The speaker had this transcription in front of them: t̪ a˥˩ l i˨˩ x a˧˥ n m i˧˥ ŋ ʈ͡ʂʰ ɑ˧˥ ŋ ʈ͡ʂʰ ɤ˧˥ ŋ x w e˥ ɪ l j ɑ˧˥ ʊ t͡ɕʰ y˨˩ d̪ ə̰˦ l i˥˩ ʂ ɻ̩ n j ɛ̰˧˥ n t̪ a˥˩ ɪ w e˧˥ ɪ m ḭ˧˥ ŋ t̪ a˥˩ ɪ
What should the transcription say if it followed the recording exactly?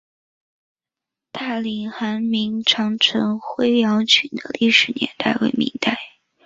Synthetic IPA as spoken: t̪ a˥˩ l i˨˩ x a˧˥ n m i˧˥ ŋ ʈ͡ʂʰ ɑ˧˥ ŋ ʈ͡ʂʰ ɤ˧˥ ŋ x w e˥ ɪ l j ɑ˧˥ ʊ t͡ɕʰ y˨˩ d̪ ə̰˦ l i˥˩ ʂ ɻ̩ n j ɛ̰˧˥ n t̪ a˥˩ ɪ w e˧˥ ɪ m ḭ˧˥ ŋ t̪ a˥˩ ɪ